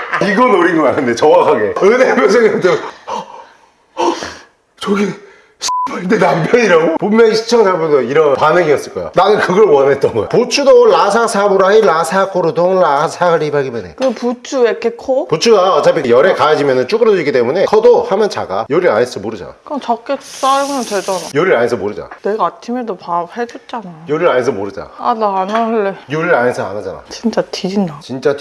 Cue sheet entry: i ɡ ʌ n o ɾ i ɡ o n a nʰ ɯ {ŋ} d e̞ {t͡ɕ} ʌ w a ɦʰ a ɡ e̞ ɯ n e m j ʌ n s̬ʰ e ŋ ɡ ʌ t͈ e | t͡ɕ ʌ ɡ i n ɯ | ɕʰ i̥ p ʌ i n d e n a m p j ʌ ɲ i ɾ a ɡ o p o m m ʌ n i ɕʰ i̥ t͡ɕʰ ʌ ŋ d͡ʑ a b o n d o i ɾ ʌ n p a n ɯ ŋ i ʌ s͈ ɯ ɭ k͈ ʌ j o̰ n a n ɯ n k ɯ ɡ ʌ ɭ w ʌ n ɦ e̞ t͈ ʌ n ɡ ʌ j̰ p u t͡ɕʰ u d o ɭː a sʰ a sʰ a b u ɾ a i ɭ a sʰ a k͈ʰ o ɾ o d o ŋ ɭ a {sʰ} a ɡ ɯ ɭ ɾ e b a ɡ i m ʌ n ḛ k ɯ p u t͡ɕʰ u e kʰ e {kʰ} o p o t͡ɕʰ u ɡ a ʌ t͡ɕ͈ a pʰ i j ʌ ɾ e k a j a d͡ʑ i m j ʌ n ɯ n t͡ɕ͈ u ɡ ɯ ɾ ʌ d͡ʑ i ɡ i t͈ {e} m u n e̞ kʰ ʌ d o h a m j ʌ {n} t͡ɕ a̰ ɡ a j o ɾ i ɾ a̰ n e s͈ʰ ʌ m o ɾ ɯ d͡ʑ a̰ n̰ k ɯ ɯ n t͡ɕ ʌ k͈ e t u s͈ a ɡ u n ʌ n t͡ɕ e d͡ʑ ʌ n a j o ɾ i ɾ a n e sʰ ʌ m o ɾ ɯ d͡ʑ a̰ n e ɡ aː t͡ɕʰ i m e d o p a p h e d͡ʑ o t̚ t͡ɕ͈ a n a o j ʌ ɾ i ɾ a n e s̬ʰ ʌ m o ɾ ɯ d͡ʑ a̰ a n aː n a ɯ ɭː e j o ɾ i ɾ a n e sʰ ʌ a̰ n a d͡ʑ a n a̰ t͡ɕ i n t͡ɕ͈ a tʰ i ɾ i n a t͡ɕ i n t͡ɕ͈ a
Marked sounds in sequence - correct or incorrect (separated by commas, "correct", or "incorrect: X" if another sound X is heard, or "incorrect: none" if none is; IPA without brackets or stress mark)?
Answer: incorrect: n, correct, correct, correct, correct, correct